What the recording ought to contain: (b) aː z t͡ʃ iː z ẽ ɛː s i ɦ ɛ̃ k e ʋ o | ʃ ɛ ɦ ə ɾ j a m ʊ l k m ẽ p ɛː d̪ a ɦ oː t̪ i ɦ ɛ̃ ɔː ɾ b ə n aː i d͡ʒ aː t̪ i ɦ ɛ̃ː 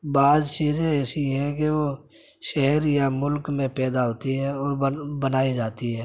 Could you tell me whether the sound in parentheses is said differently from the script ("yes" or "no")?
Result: no